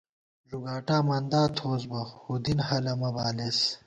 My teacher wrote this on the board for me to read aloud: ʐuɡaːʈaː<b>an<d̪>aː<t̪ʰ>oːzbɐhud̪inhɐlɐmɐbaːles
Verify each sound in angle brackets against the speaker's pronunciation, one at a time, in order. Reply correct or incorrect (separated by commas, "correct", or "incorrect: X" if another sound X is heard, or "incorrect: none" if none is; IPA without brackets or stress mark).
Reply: incorrect: m, correct, correct